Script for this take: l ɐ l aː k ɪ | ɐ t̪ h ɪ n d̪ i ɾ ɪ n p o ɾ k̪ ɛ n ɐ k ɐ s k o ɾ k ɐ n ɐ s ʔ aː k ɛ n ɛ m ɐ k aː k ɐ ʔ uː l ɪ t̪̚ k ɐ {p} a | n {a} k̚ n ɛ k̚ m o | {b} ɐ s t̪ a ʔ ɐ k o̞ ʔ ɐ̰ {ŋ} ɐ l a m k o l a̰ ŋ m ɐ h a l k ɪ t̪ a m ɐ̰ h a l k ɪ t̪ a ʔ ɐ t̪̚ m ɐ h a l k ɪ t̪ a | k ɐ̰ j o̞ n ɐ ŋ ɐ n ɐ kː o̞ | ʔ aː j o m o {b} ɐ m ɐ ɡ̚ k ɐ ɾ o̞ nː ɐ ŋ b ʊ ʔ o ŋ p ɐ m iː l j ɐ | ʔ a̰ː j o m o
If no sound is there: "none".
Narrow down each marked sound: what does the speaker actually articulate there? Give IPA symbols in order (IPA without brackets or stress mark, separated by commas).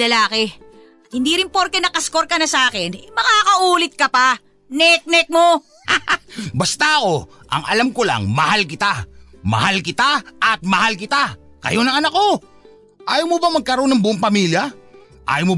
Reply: p, ɛ, b, ŋ, b